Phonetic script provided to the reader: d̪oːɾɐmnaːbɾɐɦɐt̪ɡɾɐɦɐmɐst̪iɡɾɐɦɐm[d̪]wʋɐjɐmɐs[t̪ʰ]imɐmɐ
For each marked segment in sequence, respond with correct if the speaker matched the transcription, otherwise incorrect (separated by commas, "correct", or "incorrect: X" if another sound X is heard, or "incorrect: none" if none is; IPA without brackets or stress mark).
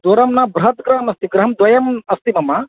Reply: correct, incorrect: t̪